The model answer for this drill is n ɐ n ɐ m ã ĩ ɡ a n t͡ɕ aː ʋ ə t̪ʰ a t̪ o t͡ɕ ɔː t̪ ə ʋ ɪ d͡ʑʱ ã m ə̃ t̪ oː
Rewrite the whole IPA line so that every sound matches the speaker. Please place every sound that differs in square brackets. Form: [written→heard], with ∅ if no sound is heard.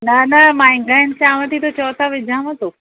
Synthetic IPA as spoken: n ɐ n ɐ m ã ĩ ɡ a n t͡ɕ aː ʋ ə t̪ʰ [a→i] t̪ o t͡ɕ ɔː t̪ [ə→a] ʋ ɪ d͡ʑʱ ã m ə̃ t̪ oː